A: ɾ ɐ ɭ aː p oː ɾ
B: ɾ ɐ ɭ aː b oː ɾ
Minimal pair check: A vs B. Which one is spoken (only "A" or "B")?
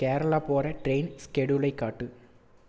A